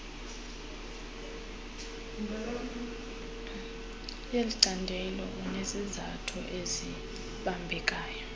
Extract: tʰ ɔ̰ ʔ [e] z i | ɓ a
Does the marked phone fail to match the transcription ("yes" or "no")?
no